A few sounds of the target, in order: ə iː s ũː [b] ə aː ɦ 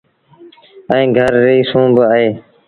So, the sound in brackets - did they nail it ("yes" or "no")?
yes